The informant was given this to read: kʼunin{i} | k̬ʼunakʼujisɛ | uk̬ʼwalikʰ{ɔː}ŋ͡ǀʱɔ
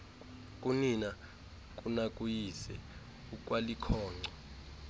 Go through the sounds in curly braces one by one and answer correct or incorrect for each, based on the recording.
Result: incorrect: a, correct

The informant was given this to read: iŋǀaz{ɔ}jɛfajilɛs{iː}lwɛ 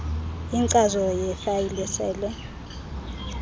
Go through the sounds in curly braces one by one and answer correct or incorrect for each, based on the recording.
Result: correct, incorrect: ɛː

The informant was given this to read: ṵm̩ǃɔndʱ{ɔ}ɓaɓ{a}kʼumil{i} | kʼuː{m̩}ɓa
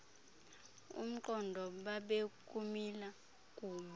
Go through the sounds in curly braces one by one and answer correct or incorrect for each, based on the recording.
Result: correct, incorrect: e, incorrect: a, incorrect: none

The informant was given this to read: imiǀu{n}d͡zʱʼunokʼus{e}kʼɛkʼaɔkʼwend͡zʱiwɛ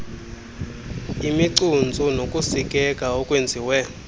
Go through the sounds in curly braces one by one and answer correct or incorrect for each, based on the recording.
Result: correct, incorrect: i

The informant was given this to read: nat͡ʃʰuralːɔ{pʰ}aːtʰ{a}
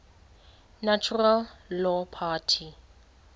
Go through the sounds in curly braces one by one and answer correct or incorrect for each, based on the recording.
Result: correct, incorrect: i

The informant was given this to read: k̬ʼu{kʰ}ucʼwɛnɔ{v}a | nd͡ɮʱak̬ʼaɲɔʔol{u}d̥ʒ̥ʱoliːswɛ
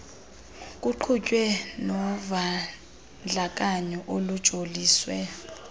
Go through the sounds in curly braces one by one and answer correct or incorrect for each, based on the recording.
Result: incorrect: ǃʰ, correct, correct

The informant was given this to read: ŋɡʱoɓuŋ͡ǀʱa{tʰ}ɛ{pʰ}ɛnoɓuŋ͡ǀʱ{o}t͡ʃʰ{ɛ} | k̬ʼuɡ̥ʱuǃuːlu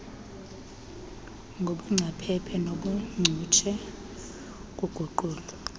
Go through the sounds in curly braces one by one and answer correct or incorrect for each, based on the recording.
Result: incorrect: pʰ, correct, incorrect: u, correct

